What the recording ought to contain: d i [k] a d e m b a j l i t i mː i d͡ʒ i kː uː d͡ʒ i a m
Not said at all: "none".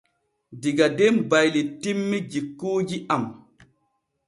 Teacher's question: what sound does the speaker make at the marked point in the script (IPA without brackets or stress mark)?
ɡ